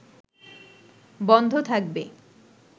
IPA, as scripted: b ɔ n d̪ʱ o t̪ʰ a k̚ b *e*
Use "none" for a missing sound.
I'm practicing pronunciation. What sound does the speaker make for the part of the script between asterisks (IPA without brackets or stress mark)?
e